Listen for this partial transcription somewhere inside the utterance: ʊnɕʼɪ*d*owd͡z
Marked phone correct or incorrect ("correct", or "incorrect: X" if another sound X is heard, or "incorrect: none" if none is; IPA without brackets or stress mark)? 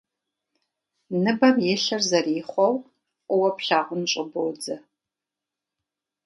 incorrect: b